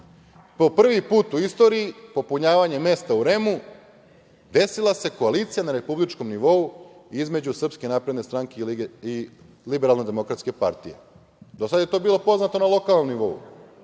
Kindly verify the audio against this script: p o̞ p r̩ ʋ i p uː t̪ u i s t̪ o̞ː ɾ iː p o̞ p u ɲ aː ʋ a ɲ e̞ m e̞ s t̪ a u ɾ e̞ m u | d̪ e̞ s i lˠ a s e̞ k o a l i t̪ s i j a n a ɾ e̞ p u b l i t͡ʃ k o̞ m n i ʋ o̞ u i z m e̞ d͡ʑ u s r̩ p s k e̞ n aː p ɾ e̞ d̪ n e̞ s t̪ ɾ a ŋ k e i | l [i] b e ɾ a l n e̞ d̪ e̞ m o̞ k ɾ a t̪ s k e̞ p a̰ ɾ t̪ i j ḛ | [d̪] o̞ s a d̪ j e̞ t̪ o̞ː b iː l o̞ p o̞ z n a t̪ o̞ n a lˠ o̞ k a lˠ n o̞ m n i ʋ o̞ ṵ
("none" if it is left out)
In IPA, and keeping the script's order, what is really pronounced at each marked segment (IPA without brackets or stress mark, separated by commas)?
i, d̪